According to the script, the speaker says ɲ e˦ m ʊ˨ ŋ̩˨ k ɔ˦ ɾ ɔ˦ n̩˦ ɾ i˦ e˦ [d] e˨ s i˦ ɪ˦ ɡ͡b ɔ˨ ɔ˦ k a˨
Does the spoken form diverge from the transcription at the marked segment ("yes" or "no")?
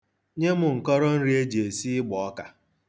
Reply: yes